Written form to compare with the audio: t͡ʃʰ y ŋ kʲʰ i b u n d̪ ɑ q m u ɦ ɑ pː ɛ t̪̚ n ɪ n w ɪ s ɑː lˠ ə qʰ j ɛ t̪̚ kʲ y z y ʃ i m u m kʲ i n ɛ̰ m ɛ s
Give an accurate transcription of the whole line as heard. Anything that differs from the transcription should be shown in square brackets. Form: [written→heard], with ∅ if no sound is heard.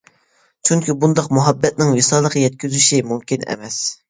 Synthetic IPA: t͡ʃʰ y ŋ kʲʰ i b u n d̪ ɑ q m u ɦ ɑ [pː→bː] ɛ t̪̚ n ɪ [n→ŋ] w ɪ s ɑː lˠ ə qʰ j ɛ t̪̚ kʲ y z y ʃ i m u m kʲ i n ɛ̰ m ɛ s